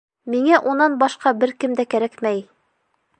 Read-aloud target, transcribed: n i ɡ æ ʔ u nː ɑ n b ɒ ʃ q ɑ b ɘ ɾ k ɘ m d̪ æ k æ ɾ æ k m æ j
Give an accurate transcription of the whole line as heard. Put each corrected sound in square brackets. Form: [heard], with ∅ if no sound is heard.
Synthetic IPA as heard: [m] i [ŋ] æ ʔ u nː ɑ n b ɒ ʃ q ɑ b ɘ ɾ k ɘ m d̪ æ k æ ɾ æ k m æ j

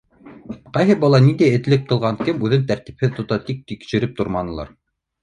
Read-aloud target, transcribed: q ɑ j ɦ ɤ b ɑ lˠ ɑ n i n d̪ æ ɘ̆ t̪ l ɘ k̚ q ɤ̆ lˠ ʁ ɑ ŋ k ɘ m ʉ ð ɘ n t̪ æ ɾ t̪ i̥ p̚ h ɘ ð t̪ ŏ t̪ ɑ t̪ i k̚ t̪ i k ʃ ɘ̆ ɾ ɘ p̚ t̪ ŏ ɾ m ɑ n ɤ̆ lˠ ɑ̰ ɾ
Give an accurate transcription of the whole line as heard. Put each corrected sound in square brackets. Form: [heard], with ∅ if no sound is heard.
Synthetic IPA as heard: q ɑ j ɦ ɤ b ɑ lˠ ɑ n i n d̪ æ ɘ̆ t̪ l ɘ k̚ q ɤ̆ lˠ ʁ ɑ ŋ k ɘ m ʉ ð ɘ n t̪ æ ɾ t̪ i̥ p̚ h ɘ ð t̪ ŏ t̪ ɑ t̪ i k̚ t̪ i k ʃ ɘ̆ ɾ ɘ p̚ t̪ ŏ ɾ m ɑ n ɤ̆ lˠ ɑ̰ ɾ

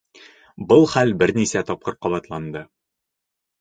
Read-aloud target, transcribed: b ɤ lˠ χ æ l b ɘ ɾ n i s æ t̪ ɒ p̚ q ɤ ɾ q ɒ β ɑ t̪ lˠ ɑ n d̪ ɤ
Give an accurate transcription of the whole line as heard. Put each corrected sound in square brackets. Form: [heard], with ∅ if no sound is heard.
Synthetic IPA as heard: b ɤ lˠ χ æ l b ɘ ɾ n i s æ t̪ ɒ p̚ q ɤ ɾ q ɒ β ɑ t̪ lˠ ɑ n d̪ ɤ

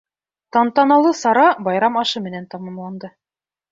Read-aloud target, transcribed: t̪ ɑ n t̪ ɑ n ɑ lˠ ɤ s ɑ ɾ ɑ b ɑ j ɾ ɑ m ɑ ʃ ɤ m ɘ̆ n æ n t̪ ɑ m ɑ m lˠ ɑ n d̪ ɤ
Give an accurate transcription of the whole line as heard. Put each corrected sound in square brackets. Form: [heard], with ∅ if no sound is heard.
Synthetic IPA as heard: t̪ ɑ n t̪ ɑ n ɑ lˠ ɤ s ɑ ɾ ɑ b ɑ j ɾ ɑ m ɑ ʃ ɤ m ɘ̆ n æ n t̪ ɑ m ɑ m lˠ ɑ n d̪ ɤ

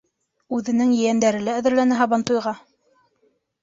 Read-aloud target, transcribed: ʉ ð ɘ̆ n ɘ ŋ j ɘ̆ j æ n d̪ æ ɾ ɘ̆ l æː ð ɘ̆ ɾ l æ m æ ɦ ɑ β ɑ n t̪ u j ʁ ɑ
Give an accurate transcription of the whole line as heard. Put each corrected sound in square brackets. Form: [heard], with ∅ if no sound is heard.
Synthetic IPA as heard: ʉ ð ɘ̆ n ɘ ŋ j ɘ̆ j æ n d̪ æ ɾ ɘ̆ l æː ð ɘ̆ ɾ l æ [n] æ ɦ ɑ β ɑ n t̪ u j ʁ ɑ

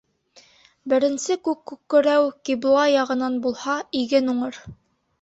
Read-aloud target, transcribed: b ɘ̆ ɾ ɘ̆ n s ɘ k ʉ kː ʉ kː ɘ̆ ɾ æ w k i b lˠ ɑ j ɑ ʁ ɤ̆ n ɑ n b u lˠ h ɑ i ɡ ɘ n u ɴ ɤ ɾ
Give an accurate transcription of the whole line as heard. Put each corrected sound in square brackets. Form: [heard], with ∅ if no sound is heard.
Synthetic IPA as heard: b ɘ̆ ɾ ɘ̆ n s ɘ k ʉ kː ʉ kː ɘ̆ ɾ æ w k i b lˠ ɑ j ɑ ʁ ɤ̆ n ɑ n b u lˠ h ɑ i ɡ ɘ n u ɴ ɤ ɾ

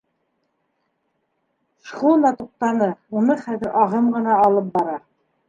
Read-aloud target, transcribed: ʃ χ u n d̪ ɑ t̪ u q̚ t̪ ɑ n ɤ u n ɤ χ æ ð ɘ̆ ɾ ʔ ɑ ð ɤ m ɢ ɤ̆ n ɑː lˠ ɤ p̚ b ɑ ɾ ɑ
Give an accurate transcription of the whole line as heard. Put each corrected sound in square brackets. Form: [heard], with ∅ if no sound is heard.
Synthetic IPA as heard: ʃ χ u n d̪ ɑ t̪ u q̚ t̪ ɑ n ɤ u n ɤ χ æ ð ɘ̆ ɾ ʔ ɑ [ʁ] ɤ m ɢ ɤ̆ n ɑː lˠ ɤ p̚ b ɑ ɾ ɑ

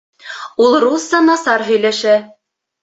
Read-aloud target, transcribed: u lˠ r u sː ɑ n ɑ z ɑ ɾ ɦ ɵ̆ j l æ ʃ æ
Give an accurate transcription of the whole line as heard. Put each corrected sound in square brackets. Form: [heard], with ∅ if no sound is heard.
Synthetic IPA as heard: u lˠ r u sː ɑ n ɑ [s] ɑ ɾ ɦ ɵ̆ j l æ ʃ æ

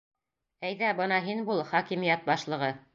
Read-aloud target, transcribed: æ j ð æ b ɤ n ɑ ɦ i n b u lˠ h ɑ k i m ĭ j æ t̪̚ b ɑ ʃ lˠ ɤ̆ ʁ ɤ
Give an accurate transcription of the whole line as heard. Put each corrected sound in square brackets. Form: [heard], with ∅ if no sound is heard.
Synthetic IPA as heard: æ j ð æ b ɤ n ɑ ɦ i n b u lˠ [χ] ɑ k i m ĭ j æ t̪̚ b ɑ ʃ lˠ ɤ̆ ʁ ɤ

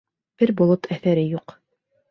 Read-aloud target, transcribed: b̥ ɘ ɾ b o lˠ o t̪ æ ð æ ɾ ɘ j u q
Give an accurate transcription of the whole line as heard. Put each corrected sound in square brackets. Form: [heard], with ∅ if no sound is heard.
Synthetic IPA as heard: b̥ ɘ ɾ b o lˠ o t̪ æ [θ] æ ɾ ɘ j u q

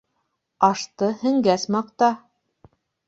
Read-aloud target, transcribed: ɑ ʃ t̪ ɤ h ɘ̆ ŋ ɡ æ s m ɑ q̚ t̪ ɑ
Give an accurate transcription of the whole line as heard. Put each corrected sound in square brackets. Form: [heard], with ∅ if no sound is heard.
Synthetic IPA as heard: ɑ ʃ t̪ ɤ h ɘ̆ ŋ ɡ æ s m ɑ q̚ t̪ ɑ

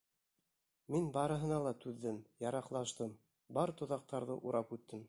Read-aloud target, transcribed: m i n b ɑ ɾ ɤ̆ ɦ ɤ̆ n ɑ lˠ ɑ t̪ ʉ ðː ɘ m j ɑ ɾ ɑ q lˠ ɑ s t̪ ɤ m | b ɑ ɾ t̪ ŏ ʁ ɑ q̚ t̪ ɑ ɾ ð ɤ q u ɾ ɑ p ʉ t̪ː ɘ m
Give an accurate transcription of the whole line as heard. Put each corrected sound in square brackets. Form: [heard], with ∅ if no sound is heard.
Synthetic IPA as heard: m i n b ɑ ɾ ɤ̆ ɦ ɤ̆ n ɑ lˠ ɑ t̪ ʉ ðː ɘ m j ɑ ɾ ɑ q lˠ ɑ [ʃ] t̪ ɤ m | b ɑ ɾ t̪ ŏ [ð] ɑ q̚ t̪ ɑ ɾ ð ɤ [ʔ] u ɾ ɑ p ʉ t̪ː ɘ m

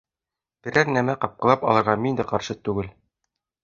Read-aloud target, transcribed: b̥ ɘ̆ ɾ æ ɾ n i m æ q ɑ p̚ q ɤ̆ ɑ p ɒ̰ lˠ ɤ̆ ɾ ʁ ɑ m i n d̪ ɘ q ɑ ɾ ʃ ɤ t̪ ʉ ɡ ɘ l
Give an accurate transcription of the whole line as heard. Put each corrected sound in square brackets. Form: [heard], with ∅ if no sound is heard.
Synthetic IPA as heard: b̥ ɘ̆ ɾ æ ɾ n [æ] m æ q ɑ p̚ q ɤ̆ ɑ p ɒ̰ lˠ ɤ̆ ɾ ʁ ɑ m i n d̪ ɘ q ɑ ɾ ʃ ɤ t̪ ʉ ɡ ɘ l

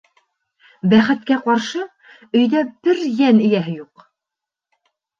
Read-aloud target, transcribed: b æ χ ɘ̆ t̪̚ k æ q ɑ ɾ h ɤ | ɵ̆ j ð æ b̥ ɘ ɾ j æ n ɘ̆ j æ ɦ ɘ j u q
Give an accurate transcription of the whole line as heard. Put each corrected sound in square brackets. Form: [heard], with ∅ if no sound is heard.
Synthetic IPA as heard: b æ χ ɘ̆ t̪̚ k æ q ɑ ɾ [ʃ] ɤ | ɵ̆ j ð æ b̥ ɘ ɾ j æ n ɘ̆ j æ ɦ ɘ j u q

